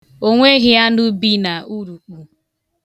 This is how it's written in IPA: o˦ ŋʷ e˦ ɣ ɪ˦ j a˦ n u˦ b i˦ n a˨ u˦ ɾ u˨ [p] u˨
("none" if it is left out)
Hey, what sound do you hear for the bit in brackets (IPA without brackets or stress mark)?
k͡p